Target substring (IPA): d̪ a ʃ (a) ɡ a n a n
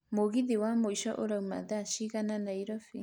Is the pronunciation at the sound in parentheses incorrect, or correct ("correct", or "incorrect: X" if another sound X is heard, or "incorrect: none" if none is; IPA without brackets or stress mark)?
incorrect: i